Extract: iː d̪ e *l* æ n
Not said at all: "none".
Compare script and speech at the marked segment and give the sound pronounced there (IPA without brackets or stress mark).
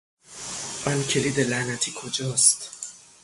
l